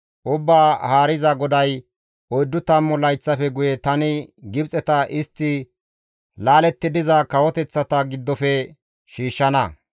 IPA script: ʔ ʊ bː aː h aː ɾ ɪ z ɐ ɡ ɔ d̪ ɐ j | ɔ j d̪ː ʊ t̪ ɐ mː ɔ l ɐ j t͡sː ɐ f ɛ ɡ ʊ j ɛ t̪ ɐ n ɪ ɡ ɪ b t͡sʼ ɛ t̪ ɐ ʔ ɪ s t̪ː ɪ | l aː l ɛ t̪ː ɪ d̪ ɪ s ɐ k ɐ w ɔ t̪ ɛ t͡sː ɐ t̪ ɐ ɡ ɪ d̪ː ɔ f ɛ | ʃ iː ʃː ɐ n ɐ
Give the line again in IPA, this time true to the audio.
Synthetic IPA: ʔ ʊ bː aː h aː ɾ ɪ z ɐ ɡ ɔ d̪ ɐ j | ɔ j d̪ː ʊ t̪ ɐ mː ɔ l ɐ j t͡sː ɐ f ɛ ɡ ʊ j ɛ t̪ ɐ n ɪ ɡ ɪ b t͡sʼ ɛ t̪ ɐ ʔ ɪ s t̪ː ɪ | l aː l ɛ t̪ː ɪ d̪ ɪ z ɐ k ɐ w ɔ t̪ ɛ t͡sː ɐ t̪ ɐ ɡ ɪ d̪ː ɔ f ɛ | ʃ iː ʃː ɐ n ɐ

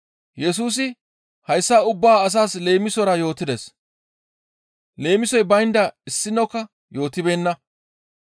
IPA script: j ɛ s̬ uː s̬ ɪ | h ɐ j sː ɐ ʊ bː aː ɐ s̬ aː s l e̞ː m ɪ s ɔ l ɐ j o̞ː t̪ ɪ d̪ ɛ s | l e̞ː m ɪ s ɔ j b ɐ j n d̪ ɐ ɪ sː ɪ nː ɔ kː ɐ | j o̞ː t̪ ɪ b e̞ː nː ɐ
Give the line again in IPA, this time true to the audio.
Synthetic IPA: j ɛ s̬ uː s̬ ɪ | h ɐ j sː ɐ ʊ bː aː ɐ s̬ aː s l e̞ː m ɪ s ɔ ɾ ɐ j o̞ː t̪ ɪ d̪ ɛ s | l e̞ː m ɪ s ɔ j b ɐ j n d̪ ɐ ɪ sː ɪ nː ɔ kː ɐ | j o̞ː t̪ ɪ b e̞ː nː ɐ

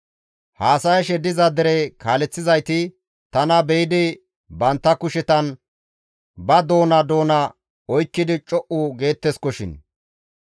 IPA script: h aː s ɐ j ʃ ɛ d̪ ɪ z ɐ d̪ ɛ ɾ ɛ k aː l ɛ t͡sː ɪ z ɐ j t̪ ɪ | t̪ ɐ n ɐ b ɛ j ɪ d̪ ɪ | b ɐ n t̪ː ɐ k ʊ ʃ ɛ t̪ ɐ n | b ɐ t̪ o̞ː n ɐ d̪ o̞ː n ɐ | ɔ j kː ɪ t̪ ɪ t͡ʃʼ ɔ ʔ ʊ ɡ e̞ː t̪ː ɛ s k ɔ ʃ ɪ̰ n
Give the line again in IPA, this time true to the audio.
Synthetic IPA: h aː s ɐ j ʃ ɛ d̪ ɪ z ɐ d̪ ɛ ɾ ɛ k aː l ɛ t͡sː ɪ z ɐ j t̪ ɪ | t̪ ɐ n ɐ b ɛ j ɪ d̪ ɪ | b ɐ n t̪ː ɐ k ʊ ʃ ɛ t̪ ɐ n | b ɐ d̪ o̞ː n ɐ d̪ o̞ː n ɐ | ɔ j kː ɪ d̪ ɪ t͡ʃʼ ɔ ʔ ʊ ɡ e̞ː t̪ː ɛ s k ɔ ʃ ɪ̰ n

